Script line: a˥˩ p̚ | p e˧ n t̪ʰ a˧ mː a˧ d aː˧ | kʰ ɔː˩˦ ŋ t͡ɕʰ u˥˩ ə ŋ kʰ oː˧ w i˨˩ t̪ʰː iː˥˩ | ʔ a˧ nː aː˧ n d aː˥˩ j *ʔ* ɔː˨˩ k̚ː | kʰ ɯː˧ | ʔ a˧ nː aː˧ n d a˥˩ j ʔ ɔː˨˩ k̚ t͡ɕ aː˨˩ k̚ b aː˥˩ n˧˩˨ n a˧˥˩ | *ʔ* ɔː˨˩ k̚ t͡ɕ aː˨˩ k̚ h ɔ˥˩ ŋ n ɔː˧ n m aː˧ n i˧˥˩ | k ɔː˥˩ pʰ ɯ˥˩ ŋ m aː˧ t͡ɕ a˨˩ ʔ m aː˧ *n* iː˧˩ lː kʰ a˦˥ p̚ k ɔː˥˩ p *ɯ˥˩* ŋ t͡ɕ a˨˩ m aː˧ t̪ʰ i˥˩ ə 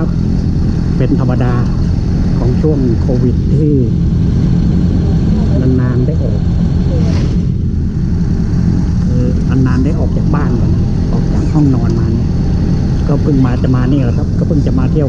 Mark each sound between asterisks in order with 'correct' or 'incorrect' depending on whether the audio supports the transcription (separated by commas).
correct, correct, correct, correct